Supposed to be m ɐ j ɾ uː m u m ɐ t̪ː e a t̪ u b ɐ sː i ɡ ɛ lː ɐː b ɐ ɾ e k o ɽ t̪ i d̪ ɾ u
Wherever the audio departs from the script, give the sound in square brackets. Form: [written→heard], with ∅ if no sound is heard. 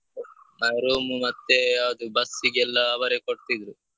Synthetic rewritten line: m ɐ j ɾ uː m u m ɐ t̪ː e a [t̪→d̪] u b ɐ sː i ɡ ɛ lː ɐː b ɐ ɾ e k o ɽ t̪ i d̪ ɾ u